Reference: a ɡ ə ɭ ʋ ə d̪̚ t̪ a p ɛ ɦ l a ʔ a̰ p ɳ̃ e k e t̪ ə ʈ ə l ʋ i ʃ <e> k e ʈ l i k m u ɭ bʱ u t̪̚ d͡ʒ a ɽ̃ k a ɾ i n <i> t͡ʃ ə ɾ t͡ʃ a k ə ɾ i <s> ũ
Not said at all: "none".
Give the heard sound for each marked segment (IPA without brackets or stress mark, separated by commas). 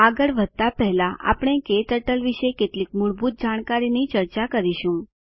e, i, ʃ